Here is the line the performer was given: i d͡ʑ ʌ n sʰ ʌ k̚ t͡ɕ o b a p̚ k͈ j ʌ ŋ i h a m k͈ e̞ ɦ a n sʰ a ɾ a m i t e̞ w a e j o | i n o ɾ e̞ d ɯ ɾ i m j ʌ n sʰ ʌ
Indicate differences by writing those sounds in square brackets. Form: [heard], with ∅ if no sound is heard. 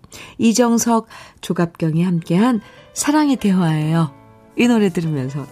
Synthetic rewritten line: i d͡ʑ ʌ [ŋ] sʰ ʌ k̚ t͡ɕ o [ɡ] a p̚ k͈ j ʌ ŋ i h a m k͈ e̞ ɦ a n sʰ a ɾ a [ŋ] i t e̞ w a e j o | i n o ɾ e̞ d ɯ ɾ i m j ʌ n sʰ ʌ